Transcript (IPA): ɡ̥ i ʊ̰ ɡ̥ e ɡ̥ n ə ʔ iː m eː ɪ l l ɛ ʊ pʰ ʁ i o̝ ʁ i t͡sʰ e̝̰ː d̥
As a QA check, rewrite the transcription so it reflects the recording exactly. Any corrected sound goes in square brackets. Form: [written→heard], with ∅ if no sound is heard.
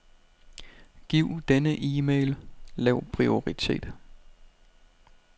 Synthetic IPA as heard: ɡ̥ i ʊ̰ [ɡ̥→d̥] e [ɡ̥→∅] n ə ʔ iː m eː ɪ l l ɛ ʊ pʰ ʁ i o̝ ʁ i t͡sʰ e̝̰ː d̥

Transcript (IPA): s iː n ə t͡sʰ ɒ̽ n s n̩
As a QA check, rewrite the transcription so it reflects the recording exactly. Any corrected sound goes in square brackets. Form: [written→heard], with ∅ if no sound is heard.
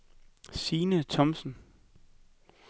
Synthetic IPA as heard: s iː n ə t͡sʰ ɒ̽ [n→m] s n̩

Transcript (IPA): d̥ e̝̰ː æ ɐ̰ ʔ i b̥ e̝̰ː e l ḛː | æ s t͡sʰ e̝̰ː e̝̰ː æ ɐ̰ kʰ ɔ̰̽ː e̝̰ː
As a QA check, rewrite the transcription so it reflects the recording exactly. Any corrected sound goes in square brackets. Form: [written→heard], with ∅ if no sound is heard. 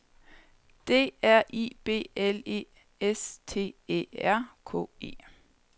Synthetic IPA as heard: d̥ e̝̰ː æ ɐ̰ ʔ i b̥ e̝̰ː e l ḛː | [æ→e] s t͡sʰ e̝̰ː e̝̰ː æ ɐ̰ kʰ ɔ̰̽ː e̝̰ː

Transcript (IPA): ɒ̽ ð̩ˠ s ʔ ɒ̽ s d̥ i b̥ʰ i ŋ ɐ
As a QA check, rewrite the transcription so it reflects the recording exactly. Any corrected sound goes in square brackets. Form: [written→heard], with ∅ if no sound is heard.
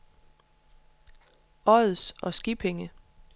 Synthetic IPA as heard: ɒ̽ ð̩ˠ s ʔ ɒ̽ s [d̥→ɡ̥] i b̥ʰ [i→e] ŋ [ɐ→ə]

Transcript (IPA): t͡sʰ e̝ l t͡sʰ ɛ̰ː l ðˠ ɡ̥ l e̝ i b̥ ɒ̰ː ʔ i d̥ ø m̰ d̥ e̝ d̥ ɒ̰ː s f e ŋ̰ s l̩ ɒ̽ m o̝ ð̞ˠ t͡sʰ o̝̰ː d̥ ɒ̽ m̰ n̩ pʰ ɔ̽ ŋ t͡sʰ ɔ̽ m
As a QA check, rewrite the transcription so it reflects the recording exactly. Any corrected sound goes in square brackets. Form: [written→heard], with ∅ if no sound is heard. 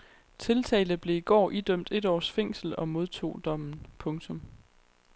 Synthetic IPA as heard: t͡sʰ e̝ l t͡sʰ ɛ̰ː l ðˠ [ɡ̥→b̥] l e̝ i [b̥→ɡ̥] ɒ̰ː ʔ i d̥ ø m̰ d̥ e̝ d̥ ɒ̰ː s f e ŋ̰ s l̩ ɒ̽ m o̝ ð̞ˠ t͡sʰ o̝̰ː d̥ ɒ̽ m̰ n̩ pʰ ɔ̽ ŋ t͡sʰ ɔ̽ m

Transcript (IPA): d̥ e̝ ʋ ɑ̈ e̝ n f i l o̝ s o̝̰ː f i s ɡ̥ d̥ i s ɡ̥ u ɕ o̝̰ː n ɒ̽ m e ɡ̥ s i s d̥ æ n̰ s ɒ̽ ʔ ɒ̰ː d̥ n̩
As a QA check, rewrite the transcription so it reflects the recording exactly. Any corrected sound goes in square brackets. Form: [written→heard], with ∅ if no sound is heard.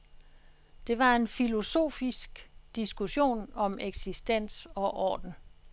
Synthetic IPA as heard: d̥ e̝ ʋ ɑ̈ e̝ n f i l o̝ s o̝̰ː f i s ɡ̥ d̥ i s ɡ̥ u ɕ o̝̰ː n ɒ̽ m e ɡ̥ s i s d̥ [æ→e] n̰ s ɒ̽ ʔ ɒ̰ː d̥ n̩

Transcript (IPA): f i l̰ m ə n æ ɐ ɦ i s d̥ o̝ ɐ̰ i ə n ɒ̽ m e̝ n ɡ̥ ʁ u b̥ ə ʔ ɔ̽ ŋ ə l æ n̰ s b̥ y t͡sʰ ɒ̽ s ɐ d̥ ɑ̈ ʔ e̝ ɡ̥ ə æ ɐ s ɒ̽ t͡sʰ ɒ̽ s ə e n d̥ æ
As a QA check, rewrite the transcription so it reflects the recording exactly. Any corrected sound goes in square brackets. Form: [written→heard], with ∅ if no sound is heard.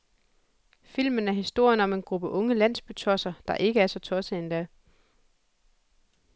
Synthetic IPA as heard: f i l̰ m ə n æ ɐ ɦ i s d̥ o̝ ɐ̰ [i→j] ə n ɒ̽ m e̝ n ɡ̥ ʁ u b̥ ə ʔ ɔ̽ ŋ ə l æ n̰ s b̥ y t͡sʰ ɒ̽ s ɐ d̥ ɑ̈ ʔ e̝ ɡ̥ ə æ ɐ s ɒ̽ t͡sʰ ɒ̽ s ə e n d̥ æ

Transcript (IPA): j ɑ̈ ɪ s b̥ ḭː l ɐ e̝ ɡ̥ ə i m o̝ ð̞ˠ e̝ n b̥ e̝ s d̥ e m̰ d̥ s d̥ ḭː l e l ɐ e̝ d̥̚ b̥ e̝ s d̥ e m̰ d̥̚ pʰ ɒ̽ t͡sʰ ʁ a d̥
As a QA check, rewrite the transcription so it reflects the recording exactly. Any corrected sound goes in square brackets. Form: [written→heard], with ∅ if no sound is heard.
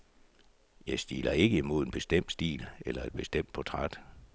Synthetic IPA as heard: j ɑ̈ ɪ s [b̥→d̥] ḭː l ɐ e̝ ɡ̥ ə i m o̝ ð̞ˠ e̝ n b̥ e̝ s d̥ e m̰ d̥ s d̥ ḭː l e l ɐ e̝ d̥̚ b̥ e̝ s d̥ e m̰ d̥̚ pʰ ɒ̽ t͡sʰ ʁ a d̥

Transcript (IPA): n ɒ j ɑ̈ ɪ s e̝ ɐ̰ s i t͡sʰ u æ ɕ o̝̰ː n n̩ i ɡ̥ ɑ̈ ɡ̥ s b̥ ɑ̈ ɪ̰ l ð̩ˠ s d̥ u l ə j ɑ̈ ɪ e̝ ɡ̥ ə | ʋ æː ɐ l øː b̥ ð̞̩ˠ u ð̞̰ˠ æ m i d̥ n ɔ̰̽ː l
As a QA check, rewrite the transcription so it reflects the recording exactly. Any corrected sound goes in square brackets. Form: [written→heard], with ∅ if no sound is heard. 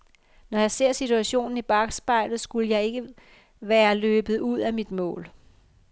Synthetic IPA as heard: n ɒ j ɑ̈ ɪ s e̝ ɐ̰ s i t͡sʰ u æ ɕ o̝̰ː n n̩ i [ɡ̥→b̥] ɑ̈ ɡ̥ s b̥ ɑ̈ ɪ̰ l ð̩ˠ s [d̥→ɡ̥] u l ə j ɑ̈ ɪ e̝ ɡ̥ ə | ʋ æː ɐ l øː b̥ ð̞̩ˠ u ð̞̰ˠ æ m i d̥ [n→m] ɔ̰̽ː l

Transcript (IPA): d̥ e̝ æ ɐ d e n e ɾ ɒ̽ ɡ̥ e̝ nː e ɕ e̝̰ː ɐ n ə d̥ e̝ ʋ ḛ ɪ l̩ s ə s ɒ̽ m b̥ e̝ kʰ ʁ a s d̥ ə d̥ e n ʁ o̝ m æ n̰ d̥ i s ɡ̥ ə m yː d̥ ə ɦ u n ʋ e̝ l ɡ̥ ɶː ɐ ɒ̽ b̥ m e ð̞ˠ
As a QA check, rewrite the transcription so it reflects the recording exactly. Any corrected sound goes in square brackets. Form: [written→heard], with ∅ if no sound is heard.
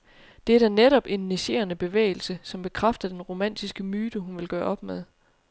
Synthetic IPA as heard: d̥ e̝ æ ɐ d [e→æ] n e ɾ ɒ̽ [ɡ̥→b̥] e̝ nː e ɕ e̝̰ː ɐ n ə [d̥→b̥] e̝ ʋ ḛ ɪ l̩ s ə s ɒ̽ m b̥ e̝ kʰ ʁ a [s→f] d̥ [ə→ɐ] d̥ e n ʁ o̝ m æ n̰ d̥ i s ɡ̥ ə m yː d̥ ə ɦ u n ʋ e̝ l ɡ̥ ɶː ɐ ɒ̽ b̥ m e ð̞ˠ

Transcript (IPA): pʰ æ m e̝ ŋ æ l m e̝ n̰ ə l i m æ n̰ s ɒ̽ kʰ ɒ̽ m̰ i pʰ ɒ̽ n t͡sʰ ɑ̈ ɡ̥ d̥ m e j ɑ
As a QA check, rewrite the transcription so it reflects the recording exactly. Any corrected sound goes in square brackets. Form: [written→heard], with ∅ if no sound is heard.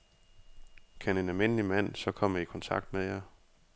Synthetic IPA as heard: [pʰ→kʰ] æ [m→n] e̝ [ŋ→n] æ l m e̝ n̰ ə l i m æ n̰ s ɒ̽ kʰ ɒ̽ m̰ i [pʰ→kʰ] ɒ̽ n t͡sʰ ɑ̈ ɡ̥ d̥ m e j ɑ

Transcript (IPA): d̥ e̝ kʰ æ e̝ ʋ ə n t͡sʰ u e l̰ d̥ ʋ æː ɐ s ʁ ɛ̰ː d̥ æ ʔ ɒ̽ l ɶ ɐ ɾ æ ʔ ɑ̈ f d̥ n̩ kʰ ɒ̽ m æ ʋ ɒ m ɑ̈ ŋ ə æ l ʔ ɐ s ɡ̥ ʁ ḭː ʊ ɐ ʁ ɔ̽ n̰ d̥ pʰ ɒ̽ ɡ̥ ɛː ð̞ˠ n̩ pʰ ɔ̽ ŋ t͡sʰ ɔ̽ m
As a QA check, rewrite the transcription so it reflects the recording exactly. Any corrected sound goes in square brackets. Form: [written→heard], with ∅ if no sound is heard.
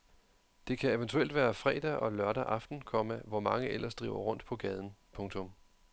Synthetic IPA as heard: d̥ e̝ kʰ æ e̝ ʋ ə n t͡sʰ u e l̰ d̥ ʋ æː ɐ [s→f] ʁ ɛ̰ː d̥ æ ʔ ɒ̽ l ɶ ɐ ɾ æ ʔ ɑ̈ f d̥ n̩ kʰ ɒ̽ m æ ʋ ɒ m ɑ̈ ŋ ə [æ→e] l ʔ ɐ s [ɡ̥→d̥] ʁ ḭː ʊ ɐ ʁ ɔ̽ n̰ d̥ pʰ ɒ̽ ɡ̥ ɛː ð̞ˠ n̩ pʰ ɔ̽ ŋ t͡sʰ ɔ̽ m

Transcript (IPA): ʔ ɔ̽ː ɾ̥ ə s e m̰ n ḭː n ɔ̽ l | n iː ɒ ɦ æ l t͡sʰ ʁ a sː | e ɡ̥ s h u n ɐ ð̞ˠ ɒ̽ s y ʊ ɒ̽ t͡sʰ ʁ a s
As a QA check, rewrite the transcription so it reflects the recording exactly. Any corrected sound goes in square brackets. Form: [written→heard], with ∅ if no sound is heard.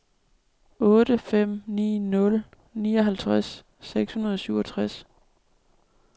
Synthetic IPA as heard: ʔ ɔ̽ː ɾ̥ ə [s→f] e m̰ n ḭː n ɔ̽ l | n iː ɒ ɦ æ l t͡sʰ ʁ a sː | e ɡ̥ s h u n ɐ ð̞ˠ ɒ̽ s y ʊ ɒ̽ t͡sʰ ʁ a s

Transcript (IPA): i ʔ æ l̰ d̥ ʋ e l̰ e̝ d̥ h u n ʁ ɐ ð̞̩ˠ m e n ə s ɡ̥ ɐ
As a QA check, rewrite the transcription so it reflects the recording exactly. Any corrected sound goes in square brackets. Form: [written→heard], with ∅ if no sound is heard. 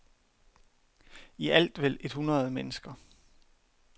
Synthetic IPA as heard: i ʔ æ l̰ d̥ ʋ e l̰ e̝ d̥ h u n ʁ ɐ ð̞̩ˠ m e n ə s ɡ̥ ɐ

